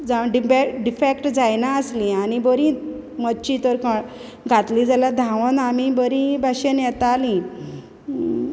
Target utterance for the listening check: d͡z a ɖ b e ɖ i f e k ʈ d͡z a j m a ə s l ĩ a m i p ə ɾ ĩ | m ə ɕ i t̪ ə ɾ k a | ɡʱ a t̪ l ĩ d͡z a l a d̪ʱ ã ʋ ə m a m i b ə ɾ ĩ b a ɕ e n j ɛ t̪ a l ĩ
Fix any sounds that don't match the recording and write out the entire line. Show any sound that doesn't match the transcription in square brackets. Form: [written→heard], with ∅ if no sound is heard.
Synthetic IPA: d͡z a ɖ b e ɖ i f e k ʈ d͡z a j [m→n] a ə s l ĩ a [m→n] i [p→b] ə ɾ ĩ | m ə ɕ i t̪ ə ɾ k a | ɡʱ a t̪ l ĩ d͡z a l a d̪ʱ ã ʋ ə [m→n] a m i b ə ɾ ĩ b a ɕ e n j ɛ t̪ a l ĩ